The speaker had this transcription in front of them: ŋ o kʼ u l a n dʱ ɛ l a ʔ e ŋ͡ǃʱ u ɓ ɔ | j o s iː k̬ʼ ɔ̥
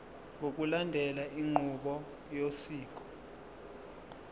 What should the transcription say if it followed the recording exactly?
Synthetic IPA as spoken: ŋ o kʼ u l a n dʱ ɛ l a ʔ i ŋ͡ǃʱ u ɓ ɔ | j o s iː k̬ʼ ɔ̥